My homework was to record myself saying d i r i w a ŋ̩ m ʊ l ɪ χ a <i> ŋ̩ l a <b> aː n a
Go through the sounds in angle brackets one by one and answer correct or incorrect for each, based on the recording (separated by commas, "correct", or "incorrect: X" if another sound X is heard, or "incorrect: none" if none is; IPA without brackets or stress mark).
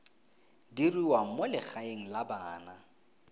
incorrect: e, correct